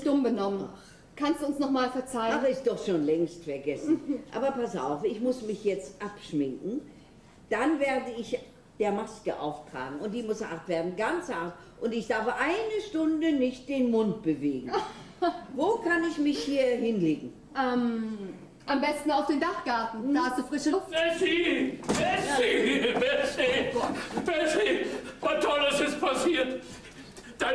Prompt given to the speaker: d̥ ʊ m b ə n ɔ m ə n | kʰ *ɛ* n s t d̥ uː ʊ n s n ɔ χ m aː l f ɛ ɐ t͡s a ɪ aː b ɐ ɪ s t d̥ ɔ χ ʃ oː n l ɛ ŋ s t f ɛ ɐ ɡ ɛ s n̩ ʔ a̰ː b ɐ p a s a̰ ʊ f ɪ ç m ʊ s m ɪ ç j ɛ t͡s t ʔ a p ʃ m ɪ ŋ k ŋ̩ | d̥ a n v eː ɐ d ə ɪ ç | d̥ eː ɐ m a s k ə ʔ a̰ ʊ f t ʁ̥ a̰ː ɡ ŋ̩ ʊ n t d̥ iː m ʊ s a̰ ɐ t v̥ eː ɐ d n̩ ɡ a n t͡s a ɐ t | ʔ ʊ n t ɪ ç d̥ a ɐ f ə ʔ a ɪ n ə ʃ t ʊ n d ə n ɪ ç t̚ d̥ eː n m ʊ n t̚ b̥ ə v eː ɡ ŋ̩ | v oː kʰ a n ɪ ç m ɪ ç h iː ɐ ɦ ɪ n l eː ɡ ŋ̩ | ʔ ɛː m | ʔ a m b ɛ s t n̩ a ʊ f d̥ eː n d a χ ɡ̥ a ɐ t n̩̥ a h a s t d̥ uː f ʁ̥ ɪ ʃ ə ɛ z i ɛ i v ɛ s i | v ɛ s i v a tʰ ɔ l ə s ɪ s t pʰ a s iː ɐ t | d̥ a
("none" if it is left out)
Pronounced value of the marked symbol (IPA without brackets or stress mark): a